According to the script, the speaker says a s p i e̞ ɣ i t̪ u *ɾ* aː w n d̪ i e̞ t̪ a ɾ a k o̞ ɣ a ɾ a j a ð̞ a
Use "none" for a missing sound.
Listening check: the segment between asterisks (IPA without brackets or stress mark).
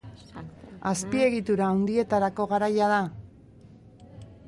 ɾ